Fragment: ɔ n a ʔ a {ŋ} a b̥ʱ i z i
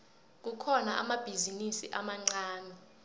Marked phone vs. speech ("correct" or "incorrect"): incorrect